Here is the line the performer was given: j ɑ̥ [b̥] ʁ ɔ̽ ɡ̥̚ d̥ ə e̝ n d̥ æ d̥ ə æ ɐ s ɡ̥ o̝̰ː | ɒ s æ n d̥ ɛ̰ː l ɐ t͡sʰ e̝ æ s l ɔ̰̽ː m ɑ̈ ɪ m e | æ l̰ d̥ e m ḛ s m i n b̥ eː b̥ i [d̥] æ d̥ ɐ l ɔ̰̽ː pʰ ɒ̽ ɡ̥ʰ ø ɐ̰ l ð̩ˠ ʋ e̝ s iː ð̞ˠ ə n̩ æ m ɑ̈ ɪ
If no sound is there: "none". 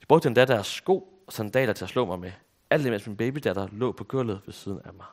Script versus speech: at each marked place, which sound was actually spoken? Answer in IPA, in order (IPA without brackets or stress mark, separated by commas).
b̥, d̥